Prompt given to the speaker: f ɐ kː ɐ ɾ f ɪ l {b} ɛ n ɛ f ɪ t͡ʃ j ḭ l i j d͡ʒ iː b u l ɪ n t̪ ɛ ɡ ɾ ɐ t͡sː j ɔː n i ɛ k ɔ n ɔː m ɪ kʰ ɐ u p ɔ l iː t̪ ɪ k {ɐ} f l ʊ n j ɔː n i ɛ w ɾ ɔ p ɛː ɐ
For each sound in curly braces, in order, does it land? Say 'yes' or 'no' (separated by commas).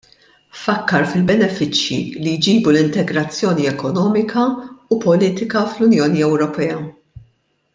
yes, yes